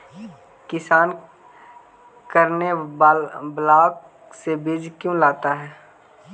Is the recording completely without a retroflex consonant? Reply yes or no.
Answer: yes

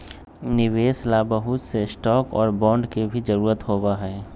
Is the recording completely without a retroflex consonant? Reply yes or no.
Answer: no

